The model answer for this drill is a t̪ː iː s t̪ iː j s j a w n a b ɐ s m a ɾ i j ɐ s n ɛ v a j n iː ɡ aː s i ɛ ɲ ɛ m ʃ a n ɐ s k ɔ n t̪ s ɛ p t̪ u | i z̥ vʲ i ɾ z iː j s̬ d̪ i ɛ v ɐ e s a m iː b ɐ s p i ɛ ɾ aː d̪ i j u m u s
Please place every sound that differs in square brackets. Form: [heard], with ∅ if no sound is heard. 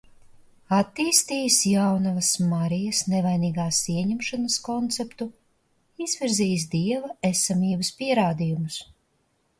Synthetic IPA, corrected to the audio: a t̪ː iː s t̪ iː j s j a w n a [v] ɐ s m a ɾ i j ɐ s n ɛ v a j n iː ɡ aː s i ɛ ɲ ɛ m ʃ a n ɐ s k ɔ n t̪ s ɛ p t̪ u | i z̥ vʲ i ɾ z iː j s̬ d̪ i ɛ v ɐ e s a m iː b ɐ s p i ɛ ɾ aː d̪ i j u m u s